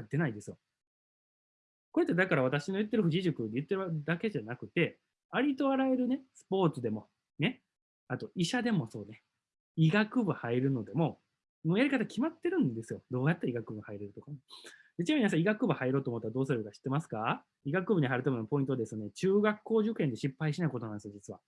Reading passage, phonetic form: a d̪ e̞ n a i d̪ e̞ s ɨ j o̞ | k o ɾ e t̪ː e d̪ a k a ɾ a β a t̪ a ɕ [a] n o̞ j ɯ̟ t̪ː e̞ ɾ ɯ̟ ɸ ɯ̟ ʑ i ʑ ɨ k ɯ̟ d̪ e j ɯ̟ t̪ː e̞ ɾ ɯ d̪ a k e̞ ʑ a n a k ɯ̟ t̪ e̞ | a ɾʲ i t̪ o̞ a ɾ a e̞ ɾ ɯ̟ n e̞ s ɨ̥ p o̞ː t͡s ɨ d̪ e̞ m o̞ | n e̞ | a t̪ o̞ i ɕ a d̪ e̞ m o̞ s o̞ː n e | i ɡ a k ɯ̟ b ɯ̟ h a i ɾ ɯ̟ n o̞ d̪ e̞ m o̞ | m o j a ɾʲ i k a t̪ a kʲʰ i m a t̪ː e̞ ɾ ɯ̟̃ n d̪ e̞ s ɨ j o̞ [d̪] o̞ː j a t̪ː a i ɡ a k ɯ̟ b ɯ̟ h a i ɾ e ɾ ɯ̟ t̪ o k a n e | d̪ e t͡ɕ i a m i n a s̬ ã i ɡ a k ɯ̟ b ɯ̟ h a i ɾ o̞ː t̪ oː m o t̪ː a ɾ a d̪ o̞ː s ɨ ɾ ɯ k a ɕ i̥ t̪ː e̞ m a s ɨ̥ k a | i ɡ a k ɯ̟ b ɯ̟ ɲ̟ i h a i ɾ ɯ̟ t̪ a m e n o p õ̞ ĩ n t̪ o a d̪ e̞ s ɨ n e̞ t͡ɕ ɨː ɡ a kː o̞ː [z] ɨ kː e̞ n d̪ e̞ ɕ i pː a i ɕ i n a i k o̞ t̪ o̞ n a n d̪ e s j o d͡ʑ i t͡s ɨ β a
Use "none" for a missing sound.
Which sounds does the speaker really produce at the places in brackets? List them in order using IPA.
i, d̪, ʑ

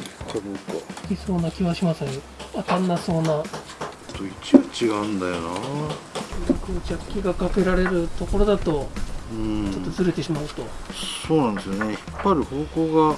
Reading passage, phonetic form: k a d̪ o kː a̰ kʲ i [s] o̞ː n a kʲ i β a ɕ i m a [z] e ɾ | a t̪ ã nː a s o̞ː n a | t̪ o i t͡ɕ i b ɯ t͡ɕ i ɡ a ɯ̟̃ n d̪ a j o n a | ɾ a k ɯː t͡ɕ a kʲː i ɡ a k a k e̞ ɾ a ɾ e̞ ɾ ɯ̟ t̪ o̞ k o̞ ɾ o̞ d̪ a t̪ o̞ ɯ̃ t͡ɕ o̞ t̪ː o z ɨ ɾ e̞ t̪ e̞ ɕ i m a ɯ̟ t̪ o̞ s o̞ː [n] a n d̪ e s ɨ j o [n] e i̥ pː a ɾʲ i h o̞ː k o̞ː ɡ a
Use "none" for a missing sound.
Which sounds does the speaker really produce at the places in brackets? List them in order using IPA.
s, s, n, n

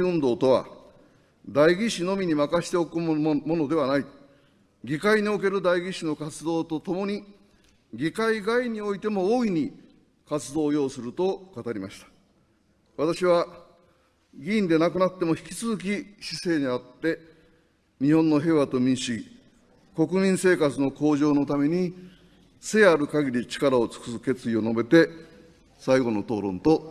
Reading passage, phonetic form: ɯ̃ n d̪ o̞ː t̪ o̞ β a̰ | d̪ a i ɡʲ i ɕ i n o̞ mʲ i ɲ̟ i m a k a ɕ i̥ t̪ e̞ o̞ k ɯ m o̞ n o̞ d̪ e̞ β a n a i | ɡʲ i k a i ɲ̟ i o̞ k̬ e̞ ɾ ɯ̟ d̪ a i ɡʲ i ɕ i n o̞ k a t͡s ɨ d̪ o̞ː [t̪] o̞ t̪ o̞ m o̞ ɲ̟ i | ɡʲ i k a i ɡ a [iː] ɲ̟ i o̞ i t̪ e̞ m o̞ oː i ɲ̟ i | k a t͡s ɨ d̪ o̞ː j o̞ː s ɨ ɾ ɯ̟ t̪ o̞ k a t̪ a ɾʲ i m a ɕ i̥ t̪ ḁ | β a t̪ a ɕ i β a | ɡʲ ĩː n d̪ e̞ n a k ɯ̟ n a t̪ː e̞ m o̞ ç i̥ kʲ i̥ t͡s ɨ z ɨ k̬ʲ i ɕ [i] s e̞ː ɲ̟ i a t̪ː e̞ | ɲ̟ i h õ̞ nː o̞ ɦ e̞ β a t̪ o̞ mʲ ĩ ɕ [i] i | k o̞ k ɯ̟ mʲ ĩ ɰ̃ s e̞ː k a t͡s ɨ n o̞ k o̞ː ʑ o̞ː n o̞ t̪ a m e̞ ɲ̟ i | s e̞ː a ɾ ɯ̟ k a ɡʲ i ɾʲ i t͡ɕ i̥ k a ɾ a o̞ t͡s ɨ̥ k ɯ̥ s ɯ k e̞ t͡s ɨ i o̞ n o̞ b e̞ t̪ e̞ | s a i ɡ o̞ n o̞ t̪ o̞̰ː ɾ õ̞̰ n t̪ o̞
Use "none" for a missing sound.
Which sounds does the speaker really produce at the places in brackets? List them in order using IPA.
t̪, i, i, i

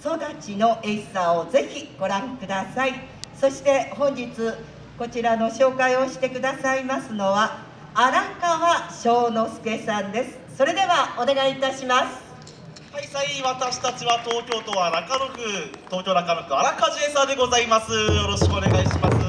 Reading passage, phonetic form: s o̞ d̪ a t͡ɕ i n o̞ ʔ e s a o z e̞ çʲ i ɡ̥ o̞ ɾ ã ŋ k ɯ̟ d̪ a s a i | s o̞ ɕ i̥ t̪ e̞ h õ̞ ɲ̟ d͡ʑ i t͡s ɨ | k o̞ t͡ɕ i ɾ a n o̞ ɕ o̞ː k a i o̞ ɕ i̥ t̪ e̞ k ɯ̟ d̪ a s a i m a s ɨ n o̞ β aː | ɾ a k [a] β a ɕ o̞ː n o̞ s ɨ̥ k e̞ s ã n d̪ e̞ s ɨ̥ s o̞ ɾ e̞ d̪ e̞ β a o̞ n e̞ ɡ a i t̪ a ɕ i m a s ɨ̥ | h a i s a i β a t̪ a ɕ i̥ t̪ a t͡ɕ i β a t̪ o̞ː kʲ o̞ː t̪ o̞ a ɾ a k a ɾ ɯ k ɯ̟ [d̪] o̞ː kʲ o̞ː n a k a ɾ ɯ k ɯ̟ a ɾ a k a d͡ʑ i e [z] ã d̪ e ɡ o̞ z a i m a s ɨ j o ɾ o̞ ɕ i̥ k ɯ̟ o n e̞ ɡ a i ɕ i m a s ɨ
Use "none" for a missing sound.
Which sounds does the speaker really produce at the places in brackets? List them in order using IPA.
a, t̪, s

